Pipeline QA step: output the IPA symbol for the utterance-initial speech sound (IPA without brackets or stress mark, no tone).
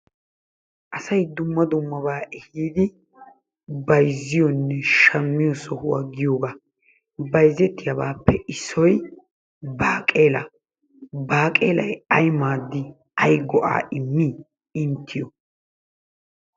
ʔ